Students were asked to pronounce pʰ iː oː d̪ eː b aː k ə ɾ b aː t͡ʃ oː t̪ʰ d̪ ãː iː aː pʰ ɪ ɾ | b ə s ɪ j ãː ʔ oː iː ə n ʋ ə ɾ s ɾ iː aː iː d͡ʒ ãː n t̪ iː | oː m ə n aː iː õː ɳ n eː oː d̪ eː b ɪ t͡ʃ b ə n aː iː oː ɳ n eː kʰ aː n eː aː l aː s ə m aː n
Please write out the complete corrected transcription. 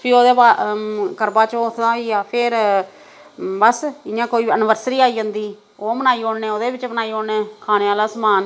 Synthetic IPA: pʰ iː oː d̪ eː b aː k ə ɾ b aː t͡ʃ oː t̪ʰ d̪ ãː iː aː pʰ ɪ ɾ | b ə s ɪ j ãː k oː iː ə n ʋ ə ɾ s ɾ iː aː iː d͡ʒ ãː n d̪ iː | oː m ə n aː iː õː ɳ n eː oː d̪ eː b ɪ t͡ʃ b ə n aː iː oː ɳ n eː kʰ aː n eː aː l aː s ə m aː n